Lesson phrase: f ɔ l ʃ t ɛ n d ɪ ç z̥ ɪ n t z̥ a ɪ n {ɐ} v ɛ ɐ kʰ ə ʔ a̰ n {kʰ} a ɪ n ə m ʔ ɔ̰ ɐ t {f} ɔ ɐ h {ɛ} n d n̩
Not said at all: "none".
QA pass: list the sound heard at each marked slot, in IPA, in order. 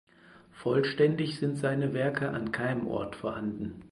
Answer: ə, kʰ, f, a

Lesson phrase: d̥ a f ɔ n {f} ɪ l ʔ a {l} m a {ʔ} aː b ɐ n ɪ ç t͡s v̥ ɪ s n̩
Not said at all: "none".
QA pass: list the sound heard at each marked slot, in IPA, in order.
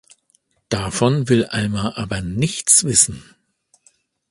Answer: v, l, ʔ

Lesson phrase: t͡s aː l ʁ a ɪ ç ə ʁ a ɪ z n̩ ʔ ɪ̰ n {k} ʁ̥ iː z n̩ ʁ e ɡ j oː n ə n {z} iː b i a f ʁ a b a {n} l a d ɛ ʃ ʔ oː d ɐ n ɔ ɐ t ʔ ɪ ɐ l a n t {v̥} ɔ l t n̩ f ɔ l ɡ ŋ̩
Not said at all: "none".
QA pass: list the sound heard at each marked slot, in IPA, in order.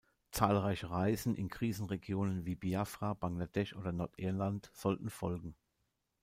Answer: k, v, ŋ, z̥

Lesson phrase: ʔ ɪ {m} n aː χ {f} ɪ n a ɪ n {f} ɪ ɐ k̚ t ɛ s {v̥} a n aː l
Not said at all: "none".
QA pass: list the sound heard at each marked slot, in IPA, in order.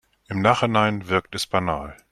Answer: m, h, v, b̥

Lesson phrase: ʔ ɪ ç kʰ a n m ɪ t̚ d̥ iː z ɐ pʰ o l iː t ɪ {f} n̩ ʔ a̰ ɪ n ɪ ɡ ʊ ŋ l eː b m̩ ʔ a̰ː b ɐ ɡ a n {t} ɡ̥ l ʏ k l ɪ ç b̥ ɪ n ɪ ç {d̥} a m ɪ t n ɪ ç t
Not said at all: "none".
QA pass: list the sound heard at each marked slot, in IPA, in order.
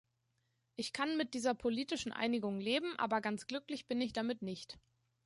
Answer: ʃ, t͡s, d̥

